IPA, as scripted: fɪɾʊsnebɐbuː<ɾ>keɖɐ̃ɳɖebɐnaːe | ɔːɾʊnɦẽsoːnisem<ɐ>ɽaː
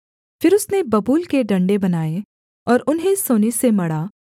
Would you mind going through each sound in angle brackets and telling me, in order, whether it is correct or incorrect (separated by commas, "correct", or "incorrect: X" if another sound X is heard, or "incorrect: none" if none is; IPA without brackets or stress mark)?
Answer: incorrect: l, correct